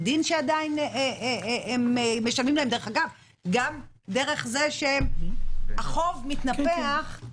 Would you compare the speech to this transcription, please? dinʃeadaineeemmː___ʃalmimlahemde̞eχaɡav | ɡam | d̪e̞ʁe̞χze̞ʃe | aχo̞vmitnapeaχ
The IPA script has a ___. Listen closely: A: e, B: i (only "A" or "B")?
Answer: A